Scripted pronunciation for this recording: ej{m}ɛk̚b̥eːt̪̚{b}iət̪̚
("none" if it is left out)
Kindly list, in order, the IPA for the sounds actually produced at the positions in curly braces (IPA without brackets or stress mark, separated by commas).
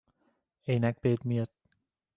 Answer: n, m